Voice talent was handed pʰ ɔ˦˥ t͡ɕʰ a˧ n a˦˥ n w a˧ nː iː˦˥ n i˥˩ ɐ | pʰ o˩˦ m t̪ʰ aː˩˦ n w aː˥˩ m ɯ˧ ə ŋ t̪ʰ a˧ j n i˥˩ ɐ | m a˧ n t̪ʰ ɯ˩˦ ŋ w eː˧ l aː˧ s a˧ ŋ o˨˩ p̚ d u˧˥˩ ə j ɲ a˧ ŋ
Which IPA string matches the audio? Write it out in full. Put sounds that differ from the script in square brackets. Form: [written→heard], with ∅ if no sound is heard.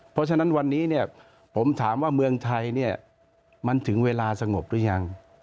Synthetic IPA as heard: pʰ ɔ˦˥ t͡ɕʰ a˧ n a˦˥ n w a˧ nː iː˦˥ n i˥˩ ɐ | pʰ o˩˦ m t̪ʰ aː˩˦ [n→m] w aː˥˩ m ɯ˧ ə ŋ t̪ʰ a˧ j n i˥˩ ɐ | m a˧ n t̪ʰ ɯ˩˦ ŋ w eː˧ l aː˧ s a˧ ŋ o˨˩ p̚ d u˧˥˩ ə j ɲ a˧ ŋ